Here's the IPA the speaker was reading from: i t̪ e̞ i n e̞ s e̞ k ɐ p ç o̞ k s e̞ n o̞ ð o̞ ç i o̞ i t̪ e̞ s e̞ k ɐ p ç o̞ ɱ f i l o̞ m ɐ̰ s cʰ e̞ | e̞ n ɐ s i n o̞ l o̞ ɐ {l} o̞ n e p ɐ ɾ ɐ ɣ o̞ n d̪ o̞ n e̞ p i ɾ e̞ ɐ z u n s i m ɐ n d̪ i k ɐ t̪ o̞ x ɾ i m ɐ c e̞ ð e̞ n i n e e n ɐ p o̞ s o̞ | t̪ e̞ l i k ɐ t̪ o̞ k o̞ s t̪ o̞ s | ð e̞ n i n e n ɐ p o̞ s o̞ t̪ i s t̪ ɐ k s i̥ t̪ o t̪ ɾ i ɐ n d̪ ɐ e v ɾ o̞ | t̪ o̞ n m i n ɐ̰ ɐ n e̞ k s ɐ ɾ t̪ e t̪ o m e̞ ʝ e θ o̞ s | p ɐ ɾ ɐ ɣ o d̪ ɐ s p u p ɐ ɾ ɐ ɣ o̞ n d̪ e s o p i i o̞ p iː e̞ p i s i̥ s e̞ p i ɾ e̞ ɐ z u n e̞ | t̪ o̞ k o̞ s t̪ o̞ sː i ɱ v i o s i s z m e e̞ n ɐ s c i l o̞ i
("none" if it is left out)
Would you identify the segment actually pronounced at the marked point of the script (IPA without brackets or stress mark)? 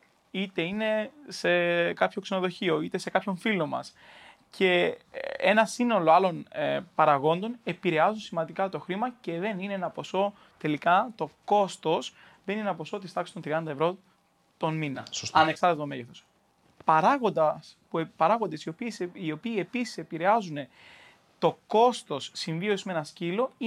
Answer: l